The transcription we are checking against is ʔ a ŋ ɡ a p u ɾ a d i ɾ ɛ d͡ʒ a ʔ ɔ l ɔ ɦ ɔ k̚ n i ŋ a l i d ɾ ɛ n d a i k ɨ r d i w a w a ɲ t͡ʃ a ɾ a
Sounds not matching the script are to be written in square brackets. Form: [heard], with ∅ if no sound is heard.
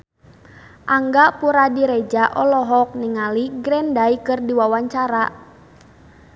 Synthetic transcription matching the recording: ʔ a ŋ ɡ a p u ɾ a d i ɾ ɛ d͡ʒ a ʔ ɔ l ɔ ɦ ɔ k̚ n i ŋ a l i [ɡ] ɾ ɛ n d a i k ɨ r d i w a w a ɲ t͡ʃ a ɾ a